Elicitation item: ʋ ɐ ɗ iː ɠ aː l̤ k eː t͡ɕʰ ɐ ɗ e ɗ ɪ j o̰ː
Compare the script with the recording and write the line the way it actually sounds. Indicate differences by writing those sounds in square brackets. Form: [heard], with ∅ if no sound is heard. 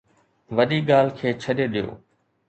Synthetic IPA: ʋ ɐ ɗ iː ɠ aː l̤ [kʰ] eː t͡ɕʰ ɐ ɗ e ɗ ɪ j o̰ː